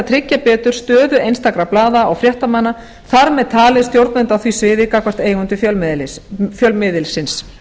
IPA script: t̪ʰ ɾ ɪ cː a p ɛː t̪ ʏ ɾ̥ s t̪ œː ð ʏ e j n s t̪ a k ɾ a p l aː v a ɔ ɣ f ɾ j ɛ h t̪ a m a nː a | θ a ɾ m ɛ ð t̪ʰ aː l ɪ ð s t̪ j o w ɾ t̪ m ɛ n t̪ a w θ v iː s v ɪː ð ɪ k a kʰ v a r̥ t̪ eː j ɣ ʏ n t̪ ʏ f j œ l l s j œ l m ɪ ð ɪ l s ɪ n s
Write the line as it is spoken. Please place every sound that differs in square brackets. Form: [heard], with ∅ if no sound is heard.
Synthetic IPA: t̪ʰ ɾ ɪ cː a p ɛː t̪ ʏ ɾ̥ s t̪ œː ð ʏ e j n s t̪ a k ɾ a p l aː [ð] a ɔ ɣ f ɾ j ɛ h t̪ a m a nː a | θ a ɾ m ɛ ð t̪ʰ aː l ɪ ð s t̪ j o w ɾ t̪ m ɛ n t̪ a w θ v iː s v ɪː ð ɪ k a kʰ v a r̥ t̪ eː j ɣ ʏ n t̪ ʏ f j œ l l [f] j œ l m ɪ ð ɪ l s ɪ n s

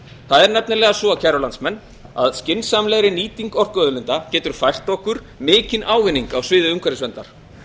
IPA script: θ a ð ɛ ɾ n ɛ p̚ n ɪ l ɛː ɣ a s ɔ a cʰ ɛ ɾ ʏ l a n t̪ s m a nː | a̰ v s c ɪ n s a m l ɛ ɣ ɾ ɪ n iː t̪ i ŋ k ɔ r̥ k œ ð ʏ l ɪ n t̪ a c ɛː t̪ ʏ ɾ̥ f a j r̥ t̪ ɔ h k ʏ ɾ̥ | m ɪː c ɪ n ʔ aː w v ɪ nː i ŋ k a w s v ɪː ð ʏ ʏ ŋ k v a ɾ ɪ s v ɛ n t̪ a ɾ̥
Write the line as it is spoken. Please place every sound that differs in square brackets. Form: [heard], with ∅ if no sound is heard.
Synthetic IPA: θ a ð ɛ ɾ n ɛ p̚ n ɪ l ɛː ɣ a s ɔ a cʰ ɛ ɾ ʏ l a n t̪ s m [ɛ] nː | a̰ [ð] s c ɪ n s a m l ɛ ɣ ɾ ɪ n iː t̪ i ŋ k ɔ r̥ k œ ð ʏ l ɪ n t̪ a c ɛː t̪ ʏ ɾ̥ f a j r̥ t̪ ɔ h k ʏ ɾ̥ | m ɪː c ɪ n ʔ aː w v ɪ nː i ŋ k a w s v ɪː ð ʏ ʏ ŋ k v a ɾ ɪ s v ɛ n t̪ a ɾ̥

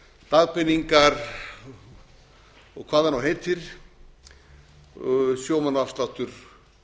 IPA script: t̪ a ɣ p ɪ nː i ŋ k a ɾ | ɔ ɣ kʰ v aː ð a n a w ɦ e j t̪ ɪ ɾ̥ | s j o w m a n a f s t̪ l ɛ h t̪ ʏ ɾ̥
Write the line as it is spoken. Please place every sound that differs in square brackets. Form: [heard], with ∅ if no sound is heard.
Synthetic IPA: t̪ a ɣ p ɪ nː i ŋ k a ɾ | ɔ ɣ kʰ v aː ð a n a w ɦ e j t̪ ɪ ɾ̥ | s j o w m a n a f s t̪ l [a] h t̪ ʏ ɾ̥

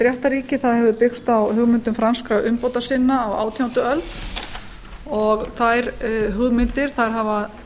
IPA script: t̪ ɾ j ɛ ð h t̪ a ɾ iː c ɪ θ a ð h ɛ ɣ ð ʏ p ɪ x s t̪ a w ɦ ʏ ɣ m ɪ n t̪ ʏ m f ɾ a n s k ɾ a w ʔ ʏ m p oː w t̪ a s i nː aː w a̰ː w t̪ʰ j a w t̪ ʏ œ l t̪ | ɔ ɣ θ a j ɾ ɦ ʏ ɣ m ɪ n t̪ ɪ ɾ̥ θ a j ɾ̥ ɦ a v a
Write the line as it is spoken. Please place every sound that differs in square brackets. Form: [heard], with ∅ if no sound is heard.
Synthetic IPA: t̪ ɾ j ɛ [∅] h t̪ a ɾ iː c ɪ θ a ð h ɛ [v] ð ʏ p ɪ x s t̪ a w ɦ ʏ ɣ m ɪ n t̪ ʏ m f ɾ a n s k ɾ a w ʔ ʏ m p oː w t̪ a s [ɪ] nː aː w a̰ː w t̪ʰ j a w t̪ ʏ œ l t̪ | ɔ ɣ θ a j ɾ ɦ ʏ ɣ m ɪ n t̪ ɪ ɾ̥ θ a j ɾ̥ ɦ a v a

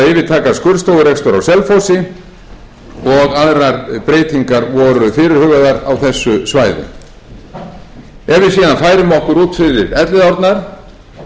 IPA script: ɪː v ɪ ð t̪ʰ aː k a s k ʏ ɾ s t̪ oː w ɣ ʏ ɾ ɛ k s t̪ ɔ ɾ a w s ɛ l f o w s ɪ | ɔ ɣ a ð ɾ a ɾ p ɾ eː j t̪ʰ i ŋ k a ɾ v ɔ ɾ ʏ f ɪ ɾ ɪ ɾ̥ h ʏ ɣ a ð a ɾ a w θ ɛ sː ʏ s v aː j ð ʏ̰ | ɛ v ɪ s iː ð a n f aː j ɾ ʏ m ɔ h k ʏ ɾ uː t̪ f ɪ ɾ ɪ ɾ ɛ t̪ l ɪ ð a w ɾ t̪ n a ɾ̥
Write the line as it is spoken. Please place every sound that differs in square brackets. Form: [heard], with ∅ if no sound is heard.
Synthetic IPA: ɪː v ɪ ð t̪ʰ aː k a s k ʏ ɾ s t̪ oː w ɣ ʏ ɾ ɛ k s t̪ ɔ ɾ a w s ɛ l f o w s ɪ | ɔ ɣ a ð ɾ a ɾ p ɾ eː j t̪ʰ i ŋ k a ɾ v ɔ ɾ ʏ f ɪ ɾ ɪ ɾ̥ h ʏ ɣ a ð a ɾ a w θ ɛ sː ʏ s v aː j ð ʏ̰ | ɛ v ɪ s iː ð a n f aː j ɾ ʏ m ɔ h k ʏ ɾ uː t̪ f ɪ ɾ ɪ ɾ ɛ t̪ l ɪ ð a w ɾ t̪ n a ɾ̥

